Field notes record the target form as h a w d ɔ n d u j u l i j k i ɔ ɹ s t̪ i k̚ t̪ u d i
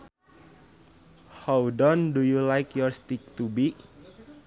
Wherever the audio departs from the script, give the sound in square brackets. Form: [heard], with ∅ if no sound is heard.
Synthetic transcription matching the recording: h a w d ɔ n d u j u l [a] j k [j] ɔ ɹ s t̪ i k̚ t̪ u [b] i